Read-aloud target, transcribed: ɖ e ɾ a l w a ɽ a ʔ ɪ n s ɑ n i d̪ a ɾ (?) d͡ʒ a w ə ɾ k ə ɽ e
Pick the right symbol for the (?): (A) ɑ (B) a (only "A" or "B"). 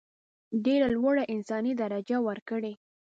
B